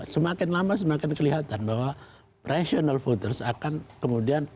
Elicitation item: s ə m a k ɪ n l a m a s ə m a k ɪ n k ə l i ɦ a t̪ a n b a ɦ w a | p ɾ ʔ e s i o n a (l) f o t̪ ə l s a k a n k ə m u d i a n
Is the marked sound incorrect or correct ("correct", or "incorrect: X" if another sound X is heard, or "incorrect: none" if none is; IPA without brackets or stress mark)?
correct